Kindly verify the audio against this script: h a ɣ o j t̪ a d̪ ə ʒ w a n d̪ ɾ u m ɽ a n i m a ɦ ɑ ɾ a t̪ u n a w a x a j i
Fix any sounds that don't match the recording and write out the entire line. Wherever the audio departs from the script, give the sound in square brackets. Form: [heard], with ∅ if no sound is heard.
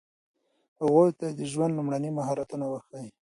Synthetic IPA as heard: h a ɣ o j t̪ a d̪ ə ʒ w a n d̪ [l] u m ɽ a n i m a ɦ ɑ ɾ a t̪ u n a w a x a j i